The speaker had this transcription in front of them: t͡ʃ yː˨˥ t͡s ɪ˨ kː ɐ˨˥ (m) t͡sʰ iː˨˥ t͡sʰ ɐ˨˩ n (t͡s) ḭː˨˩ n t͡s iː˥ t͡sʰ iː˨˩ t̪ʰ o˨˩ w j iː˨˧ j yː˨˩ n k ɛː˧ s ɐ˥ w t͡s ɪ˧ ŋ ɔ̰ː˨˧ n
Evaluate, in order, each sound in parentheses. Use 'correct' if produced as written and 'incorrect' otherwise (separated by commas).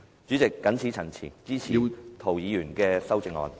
incorrect, incorrect